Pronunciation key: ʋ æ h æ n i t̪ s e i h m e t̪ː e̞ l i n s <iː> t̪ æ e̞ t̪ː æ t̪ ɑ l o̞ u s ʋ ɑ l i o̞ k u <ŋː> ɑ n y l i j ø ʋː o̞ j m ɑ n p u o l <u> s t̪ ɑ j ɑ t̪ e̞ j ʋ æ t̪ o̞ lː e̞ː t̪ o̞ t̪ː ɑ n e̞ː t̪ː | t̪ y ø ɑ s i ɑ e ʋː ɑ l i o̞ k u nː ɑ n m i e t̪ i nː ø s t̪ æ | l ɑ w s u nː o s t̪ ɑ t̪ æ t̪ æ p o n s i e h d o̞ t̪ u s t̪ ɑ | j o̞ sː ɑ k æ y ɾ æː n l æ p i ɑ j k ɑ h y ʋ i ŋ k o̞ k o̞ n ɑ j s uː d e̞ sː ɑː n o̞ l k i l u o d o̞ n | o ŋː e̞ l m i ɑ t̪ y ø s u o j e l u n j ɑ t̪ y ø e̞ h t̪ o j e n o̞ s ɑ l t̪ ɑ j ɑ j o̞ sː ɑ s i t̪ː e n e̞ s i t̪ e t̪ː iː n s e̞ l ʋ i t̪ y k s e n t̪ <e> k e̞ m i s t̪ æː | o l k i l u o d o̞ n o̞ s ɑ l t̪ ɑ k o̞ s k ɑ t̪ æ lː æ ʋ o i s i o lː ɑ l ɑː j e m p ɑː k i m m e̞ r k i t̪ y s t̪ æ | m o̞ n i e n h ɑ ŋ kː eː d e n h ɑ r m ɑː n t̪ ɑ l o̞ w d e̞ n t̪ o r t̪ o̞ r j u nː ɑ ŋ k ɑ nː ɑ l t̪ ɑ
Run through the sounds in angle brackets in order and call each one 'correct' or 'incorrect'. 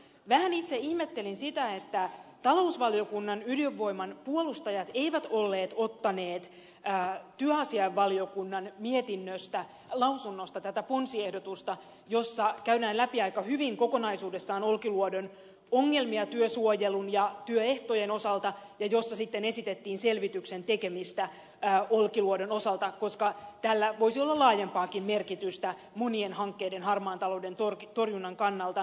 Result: incorrect: i, incorrect: nː, correct, correct

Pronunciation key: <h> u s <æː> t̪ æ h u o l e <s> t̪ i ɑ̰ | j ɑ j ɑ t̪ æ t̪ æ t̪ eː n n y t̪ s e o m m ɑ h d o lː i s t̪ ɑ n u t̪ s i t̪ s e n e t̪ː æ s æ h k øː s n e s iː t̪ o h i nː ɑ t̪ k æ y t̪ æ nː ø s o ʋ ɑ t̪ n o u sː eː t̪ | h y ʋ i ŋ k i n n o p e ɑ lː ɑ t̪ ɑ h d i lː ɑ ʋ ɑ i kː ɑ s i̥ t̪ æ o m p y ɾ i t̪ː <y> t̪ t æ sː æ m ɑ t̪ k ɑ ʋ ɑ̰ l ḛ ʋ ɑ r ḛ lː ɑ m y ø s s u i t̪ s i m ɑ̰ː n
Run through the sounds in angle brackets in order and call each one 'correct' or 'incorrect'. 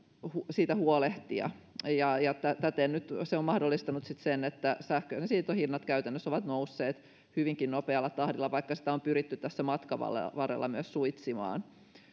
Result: correct, incorrect: iː, incorrect: h, correct

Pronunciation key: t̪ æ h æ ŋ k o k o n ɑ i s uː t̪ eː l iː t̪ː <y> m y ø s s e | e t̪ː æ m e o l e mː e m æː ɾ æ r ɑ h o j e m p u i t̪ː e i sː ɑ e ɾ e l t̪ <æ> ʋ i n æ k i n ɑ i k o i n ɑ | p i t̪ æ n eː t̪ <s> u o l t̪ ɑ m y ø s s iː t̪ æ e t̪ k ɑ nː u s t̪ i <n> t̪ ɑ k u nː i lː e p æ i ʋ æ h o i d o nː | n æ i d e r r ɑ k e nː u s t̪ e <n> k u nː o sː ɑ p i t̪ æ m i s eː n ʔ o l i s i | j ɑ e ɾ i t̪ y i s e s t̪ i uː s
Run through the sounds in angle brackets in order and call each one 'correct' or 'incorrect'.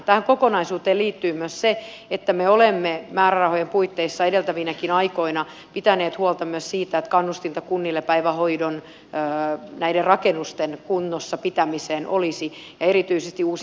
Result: incorrect: yː, correct, incorrect: h, correct, correct

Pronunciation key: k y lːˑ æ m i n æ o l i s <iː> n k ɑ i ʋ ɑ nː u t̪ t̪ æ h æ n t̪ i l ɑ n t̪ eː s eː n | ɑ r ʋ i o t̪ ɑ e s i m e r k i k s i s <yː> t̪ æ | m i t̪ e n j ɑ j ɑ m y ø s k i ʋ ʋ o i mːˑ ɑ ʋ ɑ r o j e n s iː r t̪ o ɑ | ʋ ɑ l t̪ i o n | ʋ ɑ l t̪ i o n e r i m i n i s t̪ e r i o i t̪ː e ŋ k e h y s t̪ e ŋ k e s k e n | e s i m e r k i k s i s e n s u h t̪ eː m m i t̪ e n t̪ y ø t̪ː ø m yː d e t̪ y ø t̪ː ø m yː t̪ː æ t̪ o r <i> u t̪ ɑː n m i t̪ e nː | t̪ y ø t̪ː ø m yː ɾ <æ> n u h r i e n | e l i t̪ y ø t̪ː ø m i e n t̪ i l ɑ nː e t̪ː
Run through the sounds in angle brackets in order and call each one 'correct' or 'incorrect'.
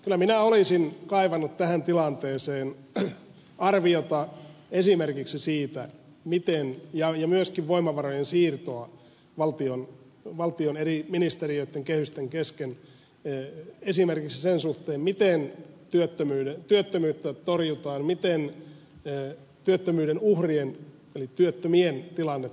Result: incorrect: i, incorrect: iː, incorrect: j, incorrect: e

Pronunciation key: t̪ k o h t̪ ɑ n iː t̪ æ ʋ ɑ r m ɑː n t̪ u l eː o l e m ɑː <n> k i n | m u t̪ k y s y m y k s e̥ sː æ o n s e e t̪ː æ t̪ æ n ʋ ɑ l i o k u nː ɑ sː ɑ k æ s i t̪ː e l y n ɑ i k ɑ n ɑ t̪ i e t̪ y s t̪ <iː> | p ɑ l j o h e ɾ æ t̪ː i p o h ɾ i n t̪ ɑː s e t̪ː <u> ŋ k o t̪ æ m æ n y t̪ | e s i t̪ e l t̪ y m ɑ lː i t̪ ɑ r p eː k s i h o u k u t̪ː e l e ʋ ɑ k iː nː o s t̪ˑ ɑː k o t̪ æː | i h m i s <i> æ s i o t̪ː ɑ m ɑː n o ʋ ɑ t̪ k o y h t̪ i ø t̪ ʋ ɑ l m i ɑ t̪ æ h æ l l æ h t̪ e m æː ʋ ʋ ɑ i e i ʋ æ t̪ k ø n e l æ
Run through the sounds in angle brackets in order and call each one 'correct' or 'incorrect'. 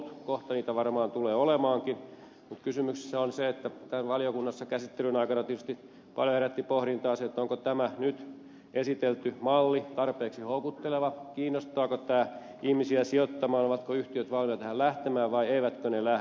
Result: incorrect: ŋ, incorrect: i, incorrect: o, correct

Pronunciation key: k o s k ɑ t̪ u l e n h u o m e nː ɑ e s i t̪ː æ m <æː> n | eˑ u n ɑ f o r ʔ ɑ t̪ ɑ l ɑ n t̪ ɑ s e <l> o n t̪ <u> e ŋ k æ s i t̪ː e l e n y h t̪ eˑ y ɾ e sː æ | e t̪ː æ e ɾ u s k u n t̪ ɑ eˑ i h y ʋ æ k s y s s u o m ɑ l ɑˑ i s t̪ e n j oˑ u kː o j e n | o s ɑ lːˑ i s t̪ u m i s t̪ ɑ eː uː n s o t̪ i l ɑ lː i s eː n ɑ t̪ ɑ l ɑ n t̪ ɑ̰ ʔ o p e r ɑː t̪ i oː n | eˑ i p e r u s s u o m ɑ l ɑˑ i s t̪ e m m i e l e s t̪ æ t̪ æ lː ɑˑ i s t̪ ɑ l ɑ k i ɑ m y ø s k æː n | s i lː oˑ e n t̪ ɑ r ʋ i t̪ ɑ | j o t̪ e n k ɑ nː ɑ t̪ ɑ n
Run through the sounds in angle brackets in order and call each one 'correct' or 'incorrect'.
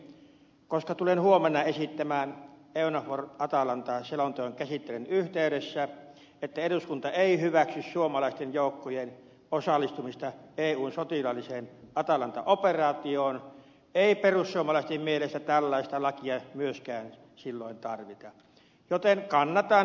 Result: correct, correct, incorrect: o

